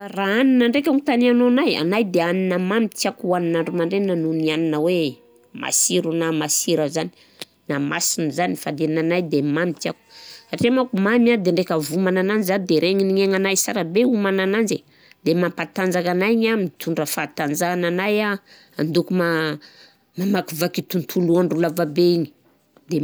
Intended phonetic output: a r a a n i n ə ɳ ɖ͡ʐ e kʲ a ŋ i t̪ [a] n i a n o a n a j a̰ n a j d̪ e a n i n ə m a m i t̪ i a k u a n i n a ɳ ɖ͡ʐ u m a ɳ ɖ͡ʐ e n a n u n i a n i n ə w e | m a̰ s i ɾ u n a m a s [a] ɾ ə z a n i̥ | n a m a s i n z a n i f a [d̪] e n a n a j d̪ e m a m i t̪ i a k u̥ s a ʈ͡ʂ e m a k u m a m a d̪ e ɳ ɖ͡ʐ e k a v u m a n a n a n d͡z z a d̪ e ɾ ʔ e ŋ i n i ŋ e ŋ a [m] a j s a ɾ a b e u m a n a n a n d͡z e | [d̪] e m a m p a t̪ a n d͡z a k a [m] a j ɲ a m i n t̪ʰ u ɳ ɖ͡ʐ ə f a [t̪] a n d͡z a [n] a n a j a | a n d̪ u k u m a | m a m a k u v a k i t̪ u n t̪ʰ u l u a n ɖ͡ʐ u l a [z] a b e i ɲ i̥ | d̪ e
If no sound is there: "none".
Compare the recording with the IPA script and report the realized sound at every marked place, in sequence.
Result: a, i, d̪, n, d̪, n, t̪, n, v

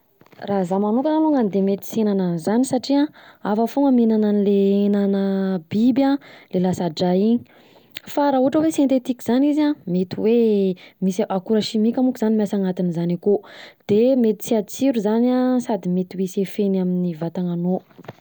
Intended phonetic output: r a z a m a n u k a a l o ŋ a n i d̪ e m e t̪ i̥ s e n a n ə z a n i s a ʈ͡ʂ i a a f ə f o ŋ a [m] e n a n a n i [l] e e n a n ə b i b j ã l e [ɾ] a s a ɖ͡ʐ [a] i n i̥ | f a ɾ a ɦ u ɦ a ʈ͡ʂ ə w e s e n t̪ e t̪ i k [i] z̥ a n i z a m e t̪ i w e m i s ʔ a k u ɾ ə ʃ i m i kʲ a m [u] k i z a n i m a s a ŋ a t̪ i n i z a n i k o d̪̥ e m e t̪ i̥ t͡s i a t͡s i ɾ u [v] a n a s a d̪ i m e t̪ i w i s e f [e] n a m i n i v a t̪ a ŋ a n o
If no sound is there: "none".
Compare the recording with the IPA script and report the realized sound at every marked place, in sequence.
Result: m, l, l, a, i, u, z, e

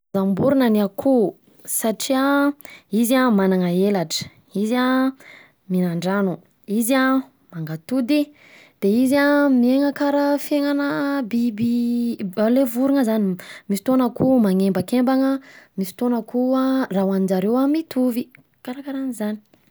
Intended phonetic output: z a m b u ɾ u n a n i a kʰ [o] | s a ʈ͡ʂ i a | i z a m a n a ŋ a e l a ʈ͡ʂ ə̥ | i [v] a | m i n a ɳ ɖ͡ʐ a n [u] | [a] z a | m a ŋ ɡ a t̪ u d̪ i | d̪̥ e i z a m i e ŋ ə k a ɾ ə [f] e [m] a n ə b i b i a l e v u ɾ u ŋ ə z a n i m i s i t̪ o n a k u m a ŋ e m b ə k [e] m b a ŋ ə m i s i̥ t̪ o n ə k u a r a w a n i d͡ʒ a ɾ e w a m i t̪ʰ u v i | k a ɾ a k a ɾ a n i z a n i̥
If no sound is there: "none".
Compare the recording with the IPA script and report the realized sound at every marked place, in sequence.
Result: u, z, u, i, f, ŋ, e

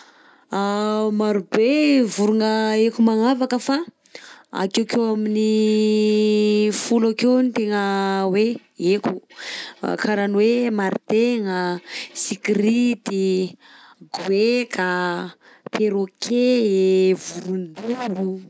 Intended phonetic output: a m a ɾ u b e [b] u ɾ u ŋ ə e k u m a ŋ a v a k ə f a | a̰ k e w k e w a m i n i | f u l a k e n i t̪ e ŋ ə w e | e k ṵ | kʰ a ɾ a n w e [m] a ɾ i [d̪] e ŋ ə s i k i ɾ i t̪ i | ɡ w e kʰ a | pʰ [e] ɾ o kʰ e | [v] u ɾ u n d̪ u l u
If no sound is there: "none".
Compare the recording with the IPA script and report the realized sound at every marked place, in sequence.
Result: v, m, t̪, e, v

